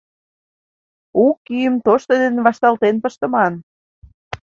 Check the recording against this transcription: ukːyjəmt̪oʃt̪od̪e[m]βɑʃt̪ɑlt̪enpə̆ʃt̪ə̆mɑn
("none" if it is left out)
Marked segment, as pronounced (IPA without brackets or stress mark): n